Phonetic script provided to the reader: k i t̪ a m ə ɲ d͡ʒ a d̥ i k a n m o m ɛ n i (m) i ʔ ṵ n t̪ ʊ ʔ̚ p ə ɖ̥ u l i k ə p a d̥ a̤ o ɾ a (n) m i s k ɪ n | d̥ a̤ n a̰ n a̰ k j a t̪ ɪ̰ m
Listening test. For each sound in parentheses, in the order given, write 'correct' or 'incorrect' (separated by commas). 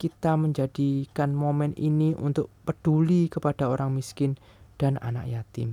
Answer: incorrect, incorrect